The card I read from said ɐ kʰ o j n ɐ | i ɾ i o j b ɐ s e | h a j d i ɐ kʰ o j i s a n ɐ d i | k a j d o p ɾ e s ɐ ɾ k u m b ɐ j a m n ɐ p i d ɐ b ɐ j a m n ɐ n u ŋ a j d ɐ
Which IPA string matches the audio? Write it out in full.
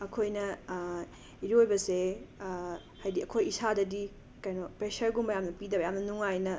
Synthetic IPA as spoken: ɐ kʰ o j n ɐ | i ɾ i o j b ɐ s e | h a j d i ɐ kʰ o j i s a d ɐ d i | k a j n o p ɾ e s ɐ ɾ ɡ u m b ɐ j a m n ɐ p i d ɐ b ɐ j a m n ɐ n u ŋ a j n ɐ